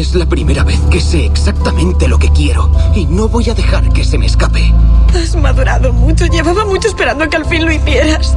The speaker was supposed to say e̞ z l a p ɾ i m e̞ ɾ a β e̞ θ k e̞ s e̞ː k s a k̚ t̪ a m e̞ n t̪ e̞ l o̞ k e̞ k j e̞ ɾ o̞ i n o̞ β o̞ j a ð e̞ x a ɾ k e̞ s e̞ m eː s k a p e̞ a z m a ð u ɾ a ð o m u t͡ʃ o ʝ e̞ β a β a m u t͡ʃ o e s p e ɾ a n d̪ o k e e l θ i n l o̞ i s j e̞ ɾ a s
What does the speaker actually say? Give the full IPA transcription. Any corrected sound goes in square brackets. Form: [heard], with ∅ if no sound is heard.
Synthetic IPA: e̞ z l a p ɾ i m e̞ ɾ a β e̞ θ k e̞ s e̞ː k s a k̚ t̪ a m [ẽ̞] n t̪ e̞ l o̞ k e̞ k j e̞ ɾ o̞ i n o̞ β o̞ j a ð e̞ x a ɾ k e̞ s e̞ m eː s k a p e̞ a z m a ð u ɾ a ð o m u t͡ʃ o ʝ e̞ β a β a m u t͡ʃ o e s p e ɾ a n d̪ o k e [a] l [f] i n l o̞ i [θ] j e̞ ɾ a s